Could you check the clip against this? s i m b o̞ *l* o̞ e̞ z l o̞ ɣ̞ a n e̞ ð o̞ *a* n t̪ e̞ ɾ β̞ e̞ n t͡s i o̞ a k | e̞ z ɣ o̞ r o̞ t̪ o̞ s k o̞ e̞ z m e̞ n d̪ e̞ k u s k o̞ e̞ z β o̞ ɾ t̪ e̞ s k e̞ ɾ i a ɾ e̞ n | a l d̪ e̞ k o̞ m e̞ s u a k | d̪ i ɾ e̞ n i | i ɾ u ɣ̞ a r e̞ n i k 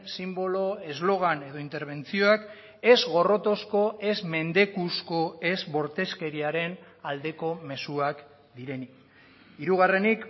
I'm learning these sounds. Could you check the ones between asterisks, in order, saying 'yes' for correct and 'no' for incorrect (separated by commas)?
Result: yes, no